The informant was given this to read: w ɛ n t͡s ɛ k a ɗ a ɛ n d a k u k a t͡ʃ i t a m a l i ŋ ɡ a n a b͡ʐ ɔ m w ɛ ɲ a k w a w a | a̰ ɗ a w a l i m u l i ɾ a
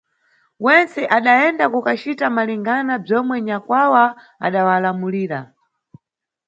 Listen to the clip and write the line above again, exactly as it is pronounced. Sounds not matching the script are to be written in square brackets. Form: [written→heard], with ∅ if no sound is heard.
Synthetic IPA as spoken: w ɛ n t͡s ɛ [k→ʔ] a ɗ a ɛ n d a k u k a t͡ʃ i t a m a l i ŋ ɡ a n a b͡ʐ ɔ m w ɛ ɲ a k w a w a | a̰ ɗ a w a l [i→a] m u l [i→iː] ɾ a